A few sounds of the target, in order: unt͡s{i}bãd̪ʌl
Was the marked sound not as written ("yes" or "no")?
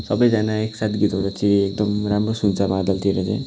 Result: yes